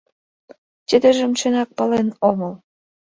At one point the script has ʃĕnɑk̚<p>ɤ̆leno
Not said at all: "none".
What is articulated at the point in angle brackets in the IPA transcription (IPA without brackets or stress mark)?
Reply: p